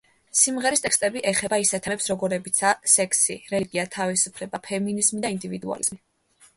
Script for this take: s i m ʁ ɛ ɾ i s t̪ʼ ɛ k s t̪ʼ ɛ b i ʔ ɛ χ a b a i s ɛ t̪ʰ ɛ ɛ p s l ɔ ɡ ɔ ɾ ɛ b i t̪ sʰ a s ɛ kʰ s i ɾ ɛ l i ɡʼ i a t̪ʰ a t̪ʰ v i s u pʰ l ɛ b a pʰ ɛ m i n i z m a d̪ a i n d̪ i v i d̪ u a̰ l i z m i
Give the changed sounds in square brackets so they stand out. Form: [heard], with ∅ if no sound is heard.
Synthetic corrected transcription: s i m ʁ ɛ ɾ i s t̪ʼ ɛ k s t̪ʼ ɛ b i ʔ ɛ χ [ɛ] b a i s ɛ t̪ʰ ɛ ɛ p s [ɾ] ɔ ɡ ɔ ɾ ɛ b i t̪ sʰ a s ɛ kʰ s i ɾ ɛ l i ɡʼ i a t̪ʰ a [∅] v i s u pʰ l ɛ b a pʰ ɛ m i n i z m [i] d̪ a i n d̪ i v i d̪ u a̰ l i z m i